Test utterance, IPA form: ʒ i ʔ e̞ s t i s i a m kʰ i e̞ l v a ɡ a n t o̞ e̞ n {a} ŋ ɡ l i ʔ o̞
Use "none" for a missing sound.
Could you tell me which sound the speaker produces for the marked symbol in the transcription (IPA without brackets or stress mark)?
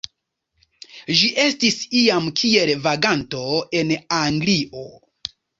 a